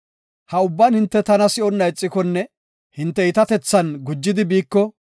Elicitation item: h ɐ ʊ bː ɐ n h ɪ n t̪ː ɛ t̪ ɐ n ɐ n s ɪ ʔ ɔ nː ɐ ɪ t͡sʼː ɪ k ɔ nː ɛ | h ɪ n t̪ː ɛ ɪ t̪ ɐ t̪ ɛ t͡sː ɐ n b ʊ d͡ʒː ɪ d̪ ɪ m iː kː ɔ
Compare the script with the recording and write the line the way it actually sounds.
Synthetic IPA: h ɐ ʊ bː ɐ n h ɪ n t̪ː ɛ t̪ ɐ n ɐ s ɪ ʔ ɔ nː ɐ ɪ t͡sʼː ɪ k ɔ nː ɛ | h ɪ n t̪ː ɛ ɪ t̪ ɐ t̪ ɛ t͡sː ɐ n ɡ ʊ d͡ʒː ɪ d̪ ɪ b iː kː ɔ